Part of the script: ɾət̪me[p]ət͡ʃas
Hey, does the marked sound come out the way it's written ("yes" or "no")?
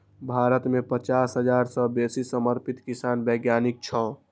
yes